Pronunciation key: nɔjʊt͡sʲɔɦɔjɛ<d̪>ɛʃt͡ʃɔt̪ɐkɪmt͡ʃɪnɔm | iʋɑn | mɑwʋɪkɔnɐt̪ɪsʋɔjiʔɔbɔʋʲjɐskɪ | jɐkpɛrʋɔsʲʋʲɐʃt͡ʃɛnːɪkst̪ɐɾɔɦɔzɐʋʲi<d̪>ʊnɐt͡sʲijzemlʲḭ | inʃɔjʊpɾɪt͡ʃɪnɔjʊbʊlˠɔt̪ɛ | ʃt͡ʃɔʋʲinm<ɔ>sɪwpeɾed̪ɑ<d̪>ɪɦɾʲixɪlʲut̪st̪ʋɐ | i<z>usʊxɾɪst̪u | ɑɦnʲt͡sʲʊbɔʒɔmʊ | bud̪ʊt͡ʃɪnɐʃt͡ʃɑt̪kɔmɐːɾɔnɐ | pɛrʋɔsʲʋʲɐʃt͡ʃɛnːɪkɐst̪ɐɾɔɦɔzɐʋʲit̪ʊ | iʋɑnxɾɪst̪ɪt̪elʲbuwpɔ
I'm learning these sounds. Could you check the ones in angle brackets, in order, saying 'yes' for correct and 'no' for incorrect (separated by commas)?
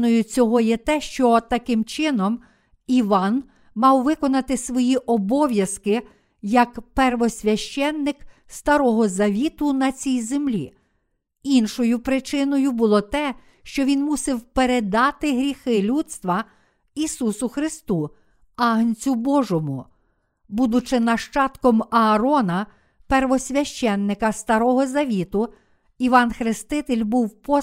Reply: no, no, no, no, no